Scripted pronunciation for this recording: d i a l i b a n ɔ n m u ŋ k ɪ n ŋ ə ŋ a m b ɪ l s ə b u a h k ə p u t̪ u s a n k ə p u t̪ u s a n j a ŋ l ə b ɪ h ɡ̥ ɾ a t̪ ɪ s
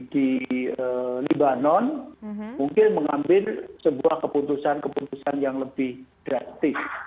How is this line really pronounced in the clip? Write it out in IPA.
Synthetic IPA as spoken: d i ə l i b a n ɔ n m u ŋ k ɪ n m ə ŋ a m b ɪ l s ə b u a h k ə p u t̪ u s a n k ə p u t̪ u s a n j a ŋ l ə b ɪ h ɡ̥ ɾ a t̪ ɪ s